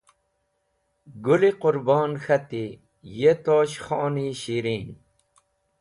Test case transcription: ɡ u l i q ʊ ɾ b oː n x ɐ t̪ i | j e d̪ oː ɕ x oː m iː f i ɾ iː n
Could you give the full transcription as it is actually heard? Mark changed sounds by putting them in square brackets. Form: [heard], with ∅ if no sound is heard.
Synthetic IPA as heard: ɡ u l i q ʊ ɾ b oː n x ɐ t̪ i | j e [t̪] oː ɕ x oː [n] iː [ɕ] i ɾ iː n